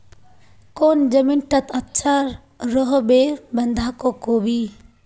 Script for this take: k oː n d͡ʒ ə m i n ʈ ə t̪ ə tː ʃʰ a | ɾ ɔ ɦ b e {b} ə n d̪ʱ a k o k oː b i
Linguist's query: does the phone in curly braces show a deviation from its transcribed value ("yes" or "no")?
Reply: no